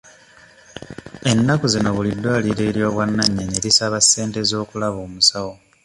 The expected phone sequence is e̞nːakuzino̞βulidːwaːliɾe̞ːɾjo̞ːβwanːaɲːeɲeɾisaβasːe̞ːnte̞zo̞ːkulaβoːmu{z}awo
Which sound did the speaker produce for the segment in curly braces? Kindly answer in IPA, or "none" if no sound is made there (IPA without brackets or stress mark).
s